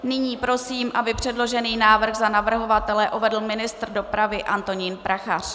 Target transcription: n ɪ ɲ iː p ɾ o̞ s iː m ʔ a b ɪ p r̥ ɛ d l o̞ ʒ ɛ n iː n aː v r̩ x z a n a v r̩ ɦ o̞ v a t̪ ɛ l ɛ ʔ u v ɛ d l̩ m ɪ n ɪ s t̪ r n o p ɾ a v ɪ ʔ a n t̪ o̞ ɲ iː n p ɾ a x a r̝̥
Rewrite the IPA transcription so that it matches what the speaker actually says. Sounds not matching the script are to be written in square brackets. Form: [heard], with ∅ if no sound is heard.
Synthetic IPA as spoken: n ɪ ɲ iː p ɾ o̞ s iː m ʔ a b ɪ p r̥ ɛ d l o̞ ʒ ɛ n iː n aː v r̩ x z a n a v r̩ ɦ o̞ v a t̪ ɛ l ɛ ʔ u v ɛ d l̩ m ɪ n ɪ s t̪ r [d] o p ɾ a v ɪ ʔ a n t̪ o̞ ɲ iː n p ɾ a x a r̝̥